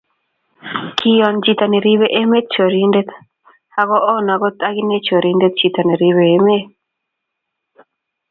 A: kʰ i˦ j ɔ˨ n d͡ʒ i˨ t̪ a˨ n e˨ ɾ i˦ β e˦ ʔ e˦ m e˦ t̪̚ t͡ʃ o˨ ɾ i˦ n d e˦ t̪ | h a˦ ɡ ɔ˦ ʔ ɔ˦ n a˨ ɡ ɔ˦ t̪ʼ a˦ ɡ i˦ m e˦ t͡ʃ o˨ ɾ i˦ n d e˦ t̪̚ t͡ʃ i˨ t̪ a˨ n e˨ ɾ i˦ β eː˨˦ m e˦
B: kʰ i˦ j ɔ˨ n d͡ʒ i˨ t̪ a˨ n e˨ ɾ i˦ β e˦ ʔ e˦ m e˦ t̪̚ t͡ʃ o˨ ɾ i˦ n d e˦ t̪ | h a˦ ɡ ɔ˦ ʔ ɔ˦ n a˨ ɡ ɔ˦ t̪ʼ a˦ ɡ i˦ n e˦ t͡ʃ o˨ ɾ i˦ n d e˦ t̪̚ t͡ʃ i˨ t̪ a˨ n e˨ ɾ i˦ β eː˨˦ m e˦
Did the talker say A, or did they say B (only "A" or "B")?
B